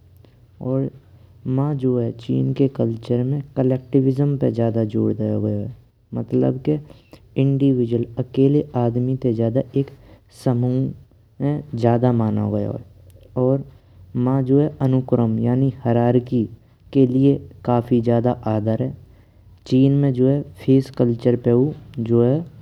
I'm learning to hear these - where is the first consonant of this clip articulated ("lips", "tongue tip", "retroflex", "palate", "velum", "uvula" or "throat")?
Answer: tongue tip